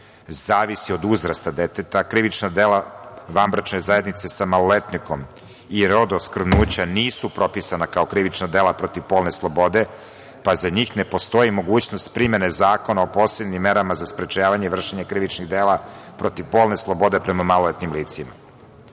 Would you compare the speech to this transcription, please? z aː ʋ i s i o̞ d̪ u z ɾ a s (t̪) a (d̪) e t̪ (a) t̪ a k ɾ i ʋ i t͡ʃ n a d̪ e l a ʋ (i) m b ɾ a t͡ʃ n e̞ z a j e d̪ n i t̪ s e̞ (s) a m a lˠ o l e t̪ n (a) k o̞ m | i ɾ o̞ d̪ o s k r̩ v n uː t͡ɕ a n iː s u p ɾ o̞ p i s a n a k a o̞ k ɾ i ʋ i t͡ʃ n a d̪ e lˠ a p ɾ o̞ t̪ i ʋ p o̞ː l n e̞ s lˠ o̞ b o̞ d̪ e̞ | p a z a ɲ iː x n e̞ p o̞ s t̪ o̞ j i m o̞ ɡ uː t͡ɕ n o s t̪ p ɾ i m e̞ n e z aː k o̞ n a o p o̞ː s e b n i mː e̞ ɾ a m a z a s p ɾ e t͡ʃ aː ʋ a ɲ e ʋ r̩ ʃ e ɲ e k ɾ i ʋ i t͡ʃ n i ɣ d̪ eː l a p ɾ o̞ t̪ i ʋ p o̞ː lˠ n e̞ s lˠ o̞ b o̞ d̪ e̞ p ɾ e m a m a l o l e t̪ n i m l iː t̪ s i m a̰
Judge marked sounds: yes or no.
yes, yes, no, no, yes, no

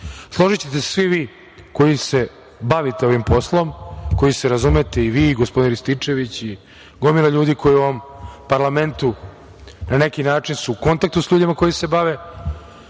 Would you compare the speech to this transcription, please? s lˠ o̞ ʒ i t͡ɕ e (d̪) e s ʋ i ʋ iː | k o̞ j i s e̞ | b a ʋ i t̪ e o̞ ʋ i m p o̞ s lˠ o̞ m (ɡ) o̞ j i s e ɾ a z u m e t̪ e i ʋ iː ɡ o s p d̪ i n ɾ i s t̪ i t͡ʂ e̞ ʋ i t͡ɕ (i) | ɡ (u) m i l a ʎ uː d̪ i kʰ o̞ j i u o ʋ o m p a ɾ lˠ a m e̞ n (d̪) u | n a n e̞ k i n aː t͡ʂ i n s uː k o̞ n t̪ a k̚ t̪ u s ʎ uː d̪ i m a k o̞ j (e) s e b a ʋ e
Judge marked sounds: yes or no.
no, no, yes, no, no, no

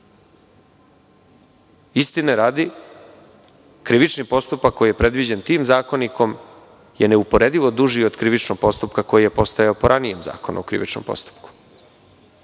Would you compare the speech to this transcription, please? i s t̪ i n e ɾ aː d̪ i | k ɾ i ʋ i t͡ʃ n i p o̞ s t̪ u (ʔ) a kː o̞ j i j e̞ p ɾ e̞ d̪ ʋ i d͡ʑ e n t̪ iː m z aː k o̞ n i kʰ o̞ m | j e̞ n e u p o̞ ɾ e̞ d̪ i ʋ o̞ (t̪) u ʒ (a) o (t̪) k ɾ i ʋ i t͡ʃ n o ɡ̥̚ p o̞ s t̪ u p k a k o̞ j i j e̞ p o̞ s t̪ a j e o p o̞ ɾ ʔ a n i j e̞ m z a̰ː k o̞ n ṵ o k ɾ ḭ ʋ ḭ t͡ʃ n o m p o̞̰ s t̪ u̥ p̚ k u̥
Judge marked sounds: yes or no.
no, no, no, no

